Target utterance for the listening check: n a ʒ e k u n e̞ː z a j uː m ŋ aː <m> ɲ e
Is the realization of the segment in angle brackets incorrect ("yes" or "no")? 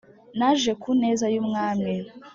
no